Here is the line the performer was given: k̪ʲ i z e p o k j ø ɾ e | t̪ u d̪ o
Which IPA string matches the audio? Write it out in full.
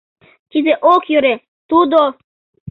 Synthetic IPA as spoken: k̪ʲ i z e ʔ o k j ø ɾ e | t̪ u d̪ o